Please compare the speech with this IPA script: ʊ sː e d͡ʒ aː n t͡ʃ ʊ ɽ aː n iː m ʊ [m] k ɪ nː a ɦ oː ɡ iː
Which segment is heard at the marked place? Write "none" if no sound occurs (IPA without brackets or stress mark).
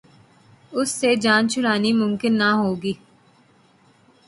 m